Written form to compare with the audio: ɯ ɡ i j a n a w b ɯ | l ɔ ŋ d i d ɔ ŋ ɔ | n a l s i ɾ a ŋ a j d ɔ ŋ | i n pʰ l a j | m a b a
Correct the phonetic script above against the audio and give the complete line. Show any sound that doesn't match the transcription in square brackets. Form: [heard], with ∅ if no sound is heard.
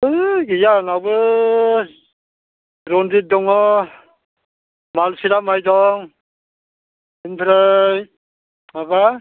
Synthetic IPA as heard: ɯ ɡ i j a n a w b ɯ | [ɾ] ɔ [n] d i d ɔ ŋ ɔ | [m] a l s i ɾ a [m] a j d ɔ ŋ | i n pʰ [ɾ] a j | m a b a